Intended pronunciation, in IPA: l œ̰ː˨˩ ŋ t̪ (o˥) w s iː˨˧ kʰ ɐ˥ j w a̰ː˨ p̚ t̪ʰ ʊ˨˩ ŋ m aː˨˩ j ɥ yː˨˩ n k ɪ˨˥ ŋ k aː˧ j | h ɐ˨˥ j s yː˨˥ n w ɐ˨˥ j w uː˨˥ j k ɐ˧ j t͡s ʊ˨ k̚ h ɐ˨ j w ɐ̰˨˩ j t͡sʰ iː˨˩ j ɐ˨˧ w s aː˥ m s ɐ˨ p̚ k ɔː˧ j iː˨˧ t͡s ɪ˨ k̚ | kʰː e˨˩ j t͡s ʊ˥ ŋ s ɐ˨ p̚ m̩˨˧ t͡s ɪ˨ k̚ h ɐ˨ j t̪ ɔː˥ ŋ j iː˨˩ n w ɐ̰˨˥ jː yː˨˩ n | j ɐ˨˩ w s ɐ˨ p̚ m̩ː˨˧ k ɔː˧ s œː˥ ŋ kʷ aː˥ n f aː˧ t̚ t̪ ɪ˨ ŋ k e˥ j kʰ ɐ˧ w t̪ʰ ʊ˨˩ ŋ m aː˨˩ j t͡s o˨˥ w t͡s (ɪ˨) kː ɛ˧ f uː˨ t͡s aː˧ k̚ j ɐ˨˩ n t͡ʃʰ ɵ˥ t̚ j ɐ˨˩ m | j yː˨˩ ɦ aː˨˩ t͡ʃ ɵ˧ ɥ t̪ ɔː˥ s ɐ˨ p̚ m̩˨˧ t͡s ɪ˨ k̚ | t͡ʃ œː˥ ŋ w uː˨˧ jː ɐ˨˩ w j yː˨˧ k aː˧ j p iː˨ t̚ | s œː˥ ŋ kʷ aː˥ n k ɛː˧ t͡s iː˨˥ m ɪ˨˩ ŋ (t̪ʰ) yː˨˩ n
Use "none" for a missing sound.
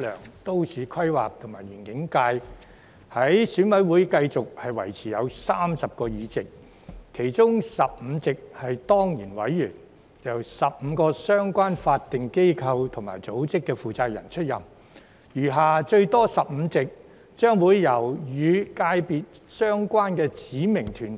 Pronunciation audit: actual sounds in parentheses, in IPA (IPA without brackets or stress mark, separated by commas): o˥, ɪ˥, t̪ʰ